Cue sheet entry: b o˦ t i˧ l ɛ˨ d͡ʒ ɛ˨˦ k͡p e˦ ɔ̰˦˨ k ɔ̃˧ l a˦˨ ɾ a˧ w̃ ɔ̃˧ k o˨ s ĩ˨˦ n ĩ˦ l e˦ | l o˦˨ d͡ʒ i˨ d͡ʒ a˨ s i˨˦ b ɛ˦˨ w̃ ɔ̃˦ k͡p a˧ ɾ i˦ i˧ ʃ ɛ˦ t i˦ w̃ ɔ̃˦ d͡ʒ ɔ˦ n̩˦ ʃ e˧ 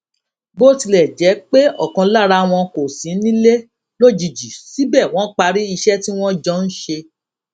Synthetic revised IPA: b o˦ t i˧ l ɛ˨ d͡ʒ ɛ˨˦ k͡p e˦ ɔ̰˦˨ k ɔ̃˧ l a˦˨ ɾ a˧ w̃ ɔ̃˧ k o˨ s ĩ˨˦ n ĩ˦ l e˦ | l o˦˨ d͡ʒ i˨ d͡ʒ i˨ s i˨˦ b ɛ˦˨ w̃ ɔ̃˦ k͡p a˧ ɾ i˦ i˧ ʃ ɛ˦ t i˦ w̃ ɔ̃˦ d͡ʒ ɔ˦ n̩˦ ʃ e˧